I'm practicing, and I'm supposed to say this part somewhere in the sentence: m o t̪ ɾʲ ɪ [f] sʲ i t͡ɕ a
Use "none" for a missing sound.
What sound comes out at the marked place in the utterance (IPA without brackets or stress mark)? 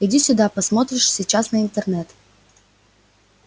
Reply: ʂ